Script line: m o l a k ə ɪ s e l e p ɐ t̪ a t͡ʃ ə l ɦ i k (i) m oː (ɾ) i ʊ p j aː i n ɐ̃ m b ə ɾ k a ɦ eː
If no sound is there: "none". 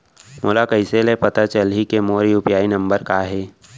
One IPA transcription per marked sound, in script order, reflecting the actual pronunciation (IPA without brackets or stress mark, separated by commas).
e, ɾ